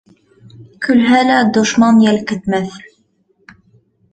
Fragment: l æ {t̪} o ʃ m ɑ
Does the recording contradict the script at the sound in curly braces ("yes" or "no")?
yes